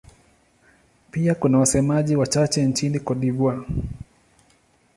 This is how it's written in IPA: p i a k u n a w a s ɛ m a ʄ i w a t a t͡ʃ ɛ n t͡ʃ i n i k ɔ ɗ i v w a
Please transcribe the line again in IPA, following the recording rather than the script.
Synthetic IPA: p i a k u n a w a s ɛ m a ʄ i w a t͡ʃ a t͡ʃ ɛ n t͡ʃ i n i k ɔ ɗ i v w a